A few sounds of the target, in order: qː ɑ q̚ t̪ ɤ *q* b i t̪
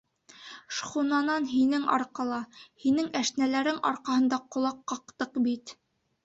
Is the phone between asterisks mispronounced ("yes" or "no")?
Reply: no